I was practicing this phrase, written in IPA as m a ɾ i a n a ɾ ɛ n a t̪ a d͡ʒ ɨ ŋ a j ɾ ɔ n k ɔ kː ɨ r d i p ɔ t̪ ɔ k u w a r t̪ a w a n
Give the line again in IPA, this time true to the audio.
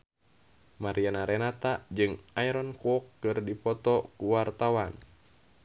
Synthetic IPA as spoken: m a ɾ i a n a ɾ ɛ n a t̪ a d͡ʒ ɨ ŋ a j ɾ ɔ n k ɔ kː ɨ r d i p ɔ t̪ ɔ k u w a r t̪ a w a n